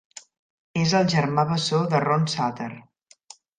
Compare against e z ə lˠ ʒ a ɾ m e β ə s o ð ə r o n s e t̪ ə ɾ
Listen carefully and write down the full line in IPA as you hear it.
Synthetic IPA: e z ə lˠ ʒ ə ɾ m a β ə s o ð ə r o n s a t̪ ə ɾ